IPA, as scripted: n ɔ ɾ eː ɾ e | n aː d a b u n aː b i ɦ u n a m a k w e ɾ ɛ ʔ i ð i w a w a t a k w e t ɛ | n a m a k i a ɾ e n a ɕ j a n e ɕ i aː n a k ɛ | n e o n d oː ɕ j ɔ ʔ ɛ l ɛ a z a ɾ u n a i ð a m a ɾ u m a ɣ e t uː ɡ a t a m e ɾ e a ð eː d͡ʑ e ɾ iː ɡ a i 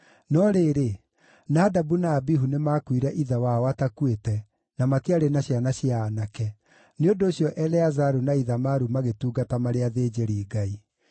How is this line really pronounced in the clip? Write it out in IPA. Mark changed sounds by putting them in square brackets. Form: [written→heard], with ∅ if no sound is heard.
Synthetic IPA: n ɔ ɾ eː ɾ e | n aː d a b u n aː b i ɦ u n [a→e] m a k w [e→i] ɾ ɛ ʔ i ð [i→a] w a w a t a k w e t ɛ | n a m a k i a ɾ e n a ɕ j a n [e→a] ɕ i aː n a k ɛ | n e o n d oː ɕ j ɔ ʔ ɛ l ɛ a z a ɾ u n a i ð a m a ɾ u m a ɣ e t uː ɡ a t a m [e→a] ɾ e a ð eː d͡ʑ e ɾ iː ɡ a i